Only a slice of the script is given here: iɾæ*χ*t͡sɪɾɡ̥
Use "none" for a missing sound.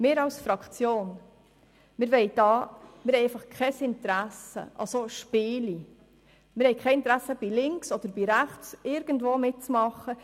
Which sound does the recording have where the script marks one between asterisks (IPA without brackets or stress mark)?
χ